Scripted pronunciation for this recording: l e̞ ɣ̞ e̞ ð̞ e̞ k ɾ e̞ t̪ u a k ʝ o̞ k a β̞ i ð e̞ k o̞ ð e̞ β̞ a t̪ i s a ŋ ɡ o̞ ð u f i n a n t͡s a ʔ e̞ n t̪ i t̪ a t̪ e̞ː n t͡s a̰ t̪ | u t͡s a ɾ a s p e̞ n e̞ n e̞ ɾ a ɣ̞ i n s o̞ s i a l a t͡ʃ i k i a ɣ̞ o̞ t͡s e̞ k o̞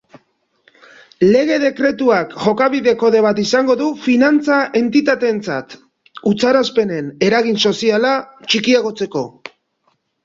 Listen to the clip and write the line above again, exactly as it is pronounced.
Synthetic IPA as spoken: l e̞ ɣ̞ e̞ ð̞ e̞ k ɾ e̞ t̪ u a k ʝ o̞ k a β̞ i ð e̞ k o̞ ð e̞ β̞ a t̪ i s a ŋ ɡ o̞ ð u f i n a n t͡s a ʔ e̞ n t̪ i t̪ a t̪ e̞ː n t͡s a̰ t̪ | u t͡s a ɾ a s p e̞ n e̞ n e̞ ɾ a ɣ̞ i n s o̞ s i a l a t͡ʃ i k i a ɣ̞ o̞ t͡s e̞ k o̞